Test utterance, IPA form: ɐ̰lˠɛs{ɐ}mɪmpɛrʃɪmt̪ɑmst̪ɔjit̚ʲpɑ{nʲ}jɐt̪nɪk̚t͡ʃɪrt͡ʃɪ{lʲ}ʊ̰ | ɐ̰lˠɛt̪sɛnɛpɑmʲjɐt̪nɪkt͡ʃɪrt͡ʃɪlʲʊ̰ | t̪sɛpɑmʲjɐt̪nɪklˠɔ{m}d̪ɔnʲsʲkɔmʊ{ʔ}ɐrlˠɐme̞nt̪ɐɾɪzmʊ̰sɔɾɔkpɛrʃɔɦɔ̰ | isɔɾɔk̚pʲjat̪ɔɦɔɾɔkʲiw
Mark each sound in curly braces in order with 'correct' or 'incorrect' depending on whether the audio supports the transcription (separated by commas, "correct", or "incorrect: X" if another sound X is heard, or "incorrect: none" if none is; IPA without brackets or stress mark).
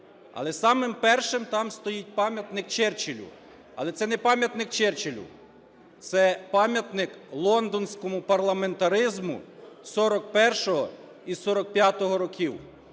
incorrect: ɑ, incorrect: mʲ, correct, incorrect: n, incorrect: p